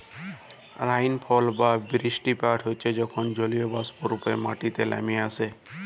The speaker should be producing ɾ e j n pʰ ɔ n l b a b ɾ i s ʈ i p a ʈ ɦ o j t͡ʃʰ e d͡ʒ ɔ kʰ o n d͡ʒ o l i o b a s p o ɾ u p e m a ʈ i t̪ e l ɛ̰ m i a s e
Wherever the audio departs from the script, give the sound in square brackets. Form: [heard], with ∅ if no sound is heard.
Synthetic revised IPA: ɾ [a] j n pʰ ɔ [∅] l b a b ɾ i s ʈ i p a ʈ ɦ o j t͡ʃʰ e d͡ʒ ɔ kʰ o n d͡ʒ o l i o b a s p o ɾ u p e m a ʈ i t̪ e l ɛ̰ m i a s e